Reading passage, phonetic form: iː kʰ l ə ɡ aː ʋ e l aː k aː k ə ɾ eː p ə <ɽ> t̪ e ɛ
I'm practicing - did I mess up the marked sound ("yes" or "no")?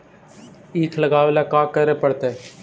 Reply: no